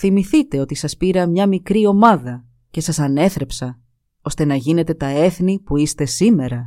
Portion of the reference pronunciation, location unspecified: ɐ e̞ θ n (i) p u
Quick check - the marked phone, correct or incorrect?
correct